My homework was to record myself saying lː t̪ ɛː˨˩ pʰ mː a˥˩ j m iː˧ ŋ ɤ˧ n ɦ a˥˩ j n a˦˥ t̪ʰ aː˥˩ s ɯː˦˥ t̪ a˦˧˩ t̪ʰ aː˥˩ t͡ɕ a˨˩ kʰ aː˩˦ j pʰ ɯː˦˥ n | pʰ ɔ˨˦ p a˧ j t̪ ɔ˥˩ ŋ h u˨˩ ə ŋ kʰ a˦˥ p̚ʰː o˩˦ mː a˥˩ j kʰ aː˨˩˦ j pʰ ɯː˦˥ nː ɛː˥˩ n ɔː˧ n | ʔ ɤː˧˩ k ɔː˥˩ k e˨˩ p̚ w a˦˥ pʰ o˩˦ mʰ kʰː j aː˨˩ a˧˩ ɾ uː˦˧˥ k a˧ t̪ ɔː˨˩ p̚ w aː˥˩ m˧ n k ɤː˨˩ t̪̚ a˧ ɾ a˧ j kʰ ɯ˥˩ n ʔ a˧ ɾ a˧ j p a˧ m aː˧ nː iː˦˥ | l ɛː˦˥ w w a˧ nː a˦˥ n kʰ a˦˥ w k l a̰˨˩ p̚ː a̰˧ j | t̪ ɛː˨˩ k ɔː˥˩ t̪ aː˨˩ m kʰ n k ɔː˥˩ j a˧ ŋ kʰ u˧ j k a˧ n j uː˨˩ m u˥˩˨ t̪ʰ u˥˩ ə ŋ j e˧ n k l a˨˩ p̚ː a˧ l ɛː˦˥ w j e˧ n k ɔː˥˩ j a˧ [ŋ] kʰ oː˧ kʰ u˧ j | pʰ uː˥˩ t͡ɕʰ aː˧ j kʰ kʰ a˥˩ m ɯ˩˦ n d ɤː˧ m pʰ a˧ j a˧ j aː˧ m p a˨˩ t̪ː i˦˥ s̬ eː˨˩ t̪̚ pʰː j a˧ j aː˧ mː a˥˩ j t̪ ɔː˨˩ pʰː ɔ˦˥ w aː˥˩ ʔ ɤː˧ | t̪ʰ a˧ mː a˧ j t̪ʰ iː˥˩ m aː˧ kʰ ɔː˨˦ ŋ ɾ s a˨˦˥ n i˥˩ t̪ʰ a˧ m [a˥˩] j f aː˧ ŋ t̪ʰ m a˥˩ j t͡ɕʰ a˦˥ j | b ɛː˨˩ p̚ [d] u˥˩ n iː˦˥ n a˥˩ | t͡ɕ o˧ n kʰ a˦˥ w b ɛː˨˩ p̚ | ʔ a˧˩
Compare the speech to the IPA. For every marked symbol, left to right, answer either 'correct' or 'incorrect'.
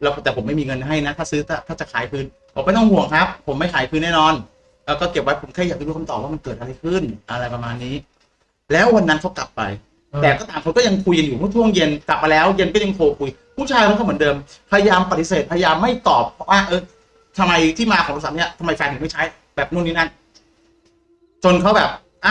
correct, incorrect, incorrect

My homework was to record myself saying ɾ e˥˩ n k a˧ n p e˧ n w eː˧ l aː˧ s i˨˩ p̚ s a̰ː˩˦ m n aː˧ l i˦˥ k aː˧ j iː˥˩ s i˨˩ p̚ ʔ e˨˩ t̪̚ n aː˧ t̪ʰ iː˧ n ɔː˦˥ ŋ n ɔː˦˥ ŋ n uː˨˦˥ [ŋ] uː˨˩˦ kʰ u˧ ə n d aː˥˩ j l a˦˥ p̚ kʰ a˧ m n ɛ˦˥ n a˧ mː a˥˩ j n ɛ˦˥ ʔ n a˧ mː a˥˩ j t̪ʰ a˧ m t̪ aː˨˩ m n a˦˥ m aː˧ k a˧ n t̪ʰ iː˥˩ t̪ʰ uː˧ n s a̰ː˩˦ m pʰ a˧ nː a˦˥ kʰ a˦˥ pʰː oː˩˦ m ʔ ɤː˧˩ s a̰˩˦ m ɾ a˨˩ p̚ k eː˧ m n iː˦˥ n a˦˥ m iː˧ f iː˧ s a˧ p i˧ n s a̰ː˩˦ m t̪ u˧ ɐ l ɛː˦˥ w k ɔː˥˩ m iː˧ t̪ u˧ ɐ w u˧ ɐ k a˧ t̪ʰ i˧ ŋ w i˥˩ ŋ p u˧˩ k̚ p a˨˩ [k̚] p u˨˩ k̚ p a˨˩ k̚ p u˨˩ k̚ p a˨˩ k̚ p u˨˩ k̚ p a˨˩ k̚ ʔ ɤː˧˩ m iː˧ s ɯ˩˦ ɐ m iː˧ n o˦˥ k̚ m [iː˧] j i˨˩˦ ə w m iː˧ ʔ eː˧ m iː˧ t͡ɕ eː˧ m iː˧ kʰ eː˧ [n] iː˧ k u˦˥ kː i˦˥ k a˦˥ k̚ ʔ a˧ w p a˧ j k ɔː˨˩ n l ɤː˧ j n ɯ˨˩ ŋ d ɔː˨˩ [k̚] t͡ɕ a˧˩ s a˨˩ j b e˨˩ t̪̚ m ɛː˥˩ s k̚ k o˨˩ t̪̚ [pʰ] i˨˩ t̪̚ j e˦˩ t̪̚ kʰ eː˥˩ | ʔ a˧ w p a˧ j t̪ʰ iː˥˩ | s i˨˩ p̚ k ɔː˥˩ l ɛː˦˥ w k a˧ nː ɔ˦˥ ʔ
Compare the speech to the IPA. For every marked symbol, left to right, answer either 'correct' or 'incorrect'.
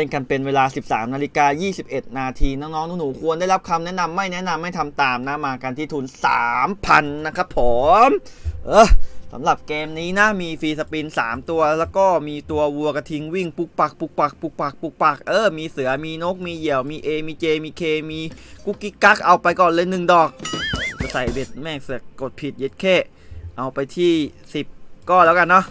incorrect, correct, correct, incorrect, correct, correct

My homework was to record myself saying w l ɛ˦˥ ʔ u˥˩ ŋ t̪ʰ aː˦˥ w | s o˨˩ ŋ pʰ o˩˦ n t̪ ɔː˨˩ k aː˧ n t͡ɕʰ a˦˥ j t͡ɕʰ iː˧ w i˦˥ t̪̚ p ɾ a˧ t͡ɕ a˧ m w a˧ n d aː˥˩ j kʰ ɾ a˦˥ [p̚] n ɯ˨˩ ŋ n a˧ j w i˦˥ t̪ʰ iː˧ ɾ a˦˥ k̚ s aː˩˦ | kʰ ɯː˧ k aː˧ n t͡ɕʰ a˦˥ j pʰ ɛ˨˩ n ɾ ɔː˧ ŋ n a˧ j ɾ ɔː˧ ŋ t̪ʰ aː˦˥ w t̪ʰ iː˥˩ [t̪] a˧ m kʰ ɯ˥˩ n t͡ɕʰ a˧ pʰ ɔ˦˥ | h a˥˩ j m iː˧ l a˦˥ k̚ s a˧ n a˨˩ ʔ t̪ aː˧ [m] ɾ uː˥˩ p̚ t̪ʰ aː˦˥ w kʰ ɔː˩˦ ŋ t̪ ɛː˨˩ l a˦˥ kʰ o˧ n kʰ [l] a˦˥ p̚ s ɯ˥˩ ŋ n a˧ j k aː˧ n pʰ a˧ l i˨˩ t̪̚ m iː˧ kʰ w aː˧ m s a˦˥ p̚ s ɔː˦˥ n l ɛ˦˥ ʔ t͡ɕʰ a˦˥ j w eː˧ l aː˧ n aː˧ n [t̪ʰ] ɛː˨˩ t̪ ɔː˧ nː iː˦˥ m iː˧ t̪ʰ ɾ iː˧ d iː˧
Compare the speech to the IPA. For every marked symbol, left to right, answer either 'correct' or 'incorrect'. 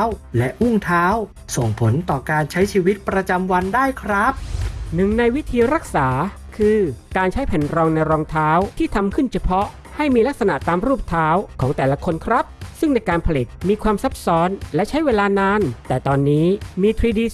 correct, incorrect, correct, incorrect, incorrect

